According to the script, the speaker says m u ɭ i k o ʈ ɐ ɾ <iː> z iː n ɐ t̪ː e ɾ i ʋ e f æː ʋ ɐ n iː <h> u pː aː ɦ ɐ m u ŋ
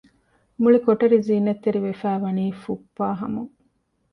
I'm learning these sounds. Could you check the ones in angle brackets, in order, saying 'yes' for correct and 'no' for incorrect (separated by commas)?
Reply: no, no